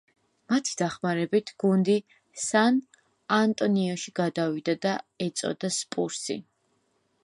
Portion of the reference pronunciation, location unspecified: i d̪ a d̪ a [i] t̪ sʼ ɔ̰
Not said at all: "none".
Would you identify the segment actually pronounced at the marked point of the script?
ɛ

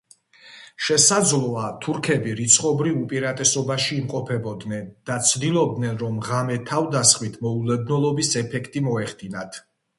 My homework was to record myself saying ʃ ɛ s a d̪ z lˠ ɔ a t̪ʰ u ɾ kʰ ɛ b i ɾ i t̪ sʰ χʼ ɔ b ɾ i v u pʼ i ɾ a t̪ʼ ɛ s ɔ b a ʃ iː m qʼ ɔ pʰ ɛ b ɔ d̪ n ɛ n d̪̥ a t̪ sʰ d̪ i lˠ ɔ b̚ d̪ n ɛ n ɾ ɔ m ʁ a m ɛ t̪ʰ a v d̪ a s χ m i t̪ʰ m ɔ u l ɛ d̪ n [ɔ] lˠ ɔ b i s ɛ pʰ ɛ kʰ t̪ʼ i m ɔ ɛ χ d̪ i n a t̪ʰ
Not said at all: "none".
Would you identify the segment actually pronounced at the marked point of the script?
ɔ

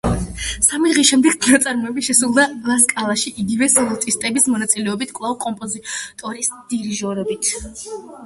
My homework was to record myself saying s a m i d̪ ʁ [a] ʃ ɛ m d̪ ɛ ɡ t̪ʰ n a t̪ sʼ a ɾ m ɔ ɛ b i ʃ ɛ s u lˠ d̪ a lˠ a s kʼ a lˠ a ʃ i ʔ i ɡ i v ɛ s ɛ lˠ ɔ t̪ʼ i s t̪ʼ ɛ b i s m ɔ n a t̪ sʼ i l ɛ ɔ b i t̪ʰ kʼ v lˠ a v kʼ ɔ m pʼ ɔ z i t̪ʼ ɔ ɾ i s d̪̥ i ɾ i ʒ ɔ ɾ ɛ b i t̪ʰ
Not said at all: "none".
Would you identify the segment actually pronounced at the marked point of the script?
i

